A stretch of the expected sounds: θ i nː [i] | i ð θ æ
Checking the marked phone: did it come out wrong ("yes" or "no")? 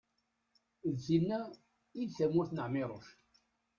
yes